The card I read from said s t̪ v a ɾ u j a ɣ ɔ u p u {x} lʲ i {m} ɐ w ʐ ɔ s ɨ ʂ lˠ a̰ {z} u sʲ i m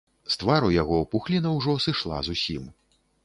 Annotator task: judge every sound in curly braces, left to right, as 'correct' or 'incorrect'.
correct, incorrect, correct

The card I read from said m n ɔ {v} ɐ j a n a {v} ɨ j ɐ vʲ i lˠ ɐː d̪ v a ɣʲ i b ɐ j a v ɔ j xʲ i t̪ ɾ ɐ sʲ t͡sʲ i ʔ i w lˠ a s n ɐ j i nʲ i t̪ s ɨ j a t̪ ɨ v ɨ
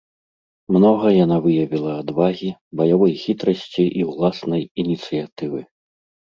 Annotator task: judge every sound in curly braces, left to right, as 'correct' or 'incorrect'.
incorrect, correct

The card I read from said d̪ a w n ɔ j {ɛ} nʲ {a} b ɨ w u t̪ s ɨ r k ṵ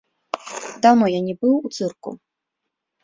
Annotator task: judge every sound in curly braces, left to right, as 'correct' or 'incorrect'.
incorrect, incorrect

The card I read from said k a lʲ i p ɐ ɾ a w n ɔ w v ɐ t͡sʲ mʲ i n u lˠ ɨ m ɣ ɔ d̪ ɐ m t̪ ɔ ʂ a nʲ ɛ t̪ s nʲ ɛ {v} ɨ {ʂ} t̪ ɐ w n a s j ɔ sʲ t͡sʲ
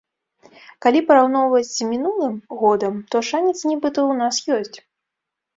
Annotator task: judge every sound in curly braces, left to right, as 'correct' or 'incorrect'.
incorrect, incorrect

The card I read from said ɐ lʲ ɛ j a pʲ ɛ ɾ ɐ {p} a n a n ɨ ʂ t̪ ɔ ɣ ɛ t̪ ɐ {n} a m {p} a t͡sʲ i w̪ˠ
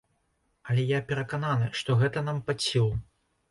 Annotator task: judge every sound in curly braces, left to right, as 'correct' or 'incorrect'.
incorrect, correct, correct

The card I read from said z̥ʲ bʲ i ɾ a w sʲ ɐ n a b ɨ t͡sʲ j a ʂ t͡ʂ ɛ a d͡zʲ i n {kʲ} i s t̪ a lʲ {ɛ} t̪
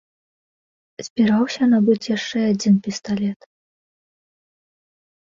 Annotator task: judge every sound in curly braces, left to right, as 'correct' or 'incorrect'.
incorrect, correct

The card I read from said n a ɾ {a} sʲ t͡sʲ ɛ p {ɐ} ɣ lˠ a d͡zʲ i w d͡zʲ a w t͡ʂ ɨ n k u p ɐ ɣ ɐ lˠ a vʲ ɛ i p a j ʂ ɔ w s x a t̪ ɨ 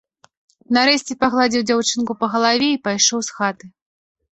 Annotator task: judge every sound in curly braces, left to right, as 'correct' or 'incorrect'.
incorrect, incorrect

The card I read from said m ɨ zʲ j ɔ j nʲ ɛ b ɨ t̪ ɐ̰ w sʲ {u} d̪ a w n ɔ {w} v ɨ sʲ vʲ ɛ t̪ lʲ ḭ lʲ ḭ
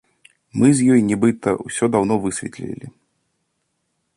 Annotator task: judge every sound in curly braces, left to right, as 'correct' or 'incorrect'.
incorrect, incorrect

